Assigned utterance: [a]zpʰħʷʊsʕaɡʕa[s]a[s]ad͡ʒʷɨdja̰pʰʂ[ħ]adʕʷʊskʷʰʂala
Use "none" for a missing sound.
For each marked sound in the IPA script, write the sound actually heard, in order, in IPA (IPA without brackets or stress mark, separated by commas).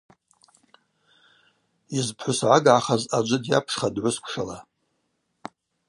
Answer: i, χ, z, χ